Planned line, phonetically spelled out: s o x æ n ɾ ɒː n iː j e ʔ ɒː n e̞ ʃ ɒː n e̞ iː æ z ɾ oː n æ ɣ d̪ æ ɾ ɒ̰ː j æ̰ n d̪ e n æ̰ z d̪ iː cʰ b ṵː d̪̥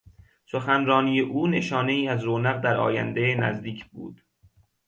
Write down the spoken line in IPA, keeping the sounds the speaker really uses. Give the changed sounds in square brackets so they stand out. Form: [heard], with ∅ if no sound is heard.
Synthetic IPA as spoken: s o x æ n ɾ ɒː n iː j e ʔ [uː] n e̞ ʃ ɒː n e̞ iː æ z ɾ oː n æ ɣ d̪ æ ɾ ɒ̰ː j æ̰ n d̪ e n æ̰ z d̪ iː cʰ b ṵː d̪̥